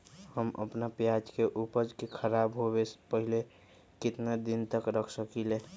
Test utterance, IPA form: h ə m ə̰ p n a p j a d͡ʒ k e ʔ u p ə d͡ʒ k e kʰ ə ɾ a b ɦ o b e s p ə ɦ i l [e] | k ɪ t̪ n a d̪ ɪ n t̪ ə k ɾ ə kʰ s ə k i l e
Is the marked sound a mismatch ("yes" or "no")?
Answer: no